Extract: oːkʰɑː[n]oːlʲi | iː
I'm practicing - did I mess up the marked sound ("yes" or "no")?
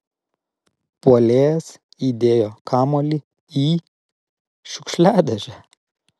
yes